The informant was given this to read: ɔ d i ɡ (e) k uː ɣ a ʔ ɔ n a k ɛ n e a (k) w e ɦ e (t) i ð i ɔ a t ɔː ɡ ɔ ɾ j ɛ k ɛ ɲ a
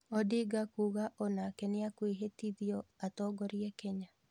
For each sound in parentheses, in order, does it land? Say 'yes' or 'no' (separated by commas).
no, yes, yes